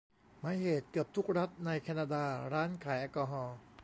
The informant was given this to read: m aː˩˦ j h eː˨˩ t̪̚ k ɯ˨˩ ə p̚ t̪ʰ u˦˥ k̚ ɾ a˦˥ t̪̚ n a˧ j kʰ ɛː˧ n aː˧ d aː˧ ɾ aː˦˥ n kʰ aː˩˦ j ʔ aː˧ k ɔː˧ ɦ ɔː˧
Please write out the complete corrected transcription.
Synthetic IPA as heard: m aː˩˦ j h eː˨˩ t̪̚ k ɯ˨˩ ə p̚ t̪ʰ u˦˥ k̚ ɾ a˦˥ t̪̚ n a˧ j kʰ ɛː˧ n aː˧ d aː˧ ɾ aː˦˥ n kʰ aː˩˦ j ʔ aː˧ k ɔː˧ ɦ ɔː˧